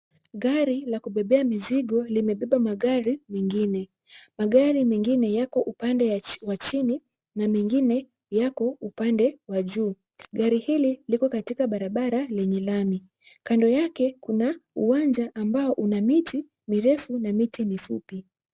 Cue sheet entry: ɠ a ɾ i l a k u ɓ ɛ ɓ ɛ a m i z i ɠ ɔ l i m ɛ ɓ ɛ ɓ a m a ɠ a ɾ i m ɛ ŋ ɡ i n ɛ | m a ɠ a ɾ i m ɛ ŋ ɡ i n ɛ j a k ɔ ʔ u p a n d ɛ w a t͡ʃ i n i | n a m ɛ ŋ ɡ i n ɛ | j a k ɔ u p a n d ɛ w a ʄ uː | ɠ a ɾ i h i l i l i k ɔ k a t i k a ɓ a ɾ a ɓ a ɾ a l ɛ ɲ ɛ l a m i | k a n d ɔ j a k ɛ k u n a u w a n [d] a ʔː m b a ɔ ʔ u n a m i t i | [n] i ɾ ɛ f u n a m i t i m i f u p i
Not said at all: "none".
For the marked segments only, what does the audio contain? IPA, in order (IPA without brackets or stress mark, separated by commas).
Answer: d͡ʒ, m